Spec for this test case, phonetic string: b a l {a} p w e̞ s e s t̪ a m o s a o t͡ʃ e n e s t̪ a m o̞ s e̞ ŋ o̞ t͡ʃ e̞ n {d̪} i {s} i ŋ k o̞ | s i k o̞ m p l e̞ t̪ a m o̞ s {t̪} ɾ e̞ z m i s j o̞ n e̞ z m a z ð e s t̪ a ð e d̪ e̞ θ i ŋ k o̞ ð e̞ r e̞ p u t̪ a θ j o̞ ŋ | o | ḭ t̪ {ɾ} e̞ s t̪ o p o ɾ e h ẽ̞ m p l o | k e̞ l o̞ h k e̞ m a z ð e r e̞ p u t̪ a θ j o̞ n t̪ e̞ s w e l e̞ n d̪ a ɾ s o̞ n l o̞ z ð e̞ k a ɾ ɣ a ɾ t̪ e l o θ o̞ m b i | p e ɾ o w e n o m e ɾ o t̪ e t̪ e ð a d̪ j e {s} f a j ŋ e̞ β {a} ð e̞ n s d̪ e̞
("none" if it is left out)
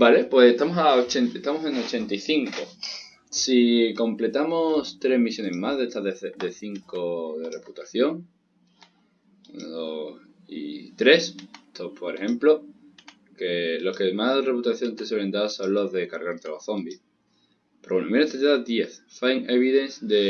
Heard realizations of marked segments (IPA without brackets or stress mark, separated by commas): e, t̪, θ, t̪, ɾ, θ, i